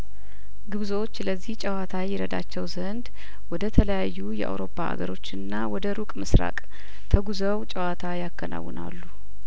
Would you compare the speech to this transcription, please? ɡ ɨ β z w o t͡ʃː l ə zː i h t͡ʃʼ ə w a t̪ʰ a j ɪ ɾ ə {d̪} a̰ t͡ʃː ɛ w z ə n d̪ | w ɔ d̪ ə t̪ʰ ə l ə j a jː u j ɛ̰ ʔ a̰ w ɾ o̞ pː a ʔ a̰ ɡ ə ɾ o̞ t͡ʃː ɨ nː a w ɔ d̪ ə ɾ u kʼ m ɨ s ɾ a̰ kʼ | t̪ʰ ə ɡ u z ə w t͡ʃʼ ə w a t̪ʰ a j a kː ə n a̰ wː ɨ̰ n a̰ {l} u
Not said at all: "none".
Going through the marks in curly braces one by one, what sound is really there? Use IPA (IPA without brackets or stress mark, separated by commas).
d̪, lː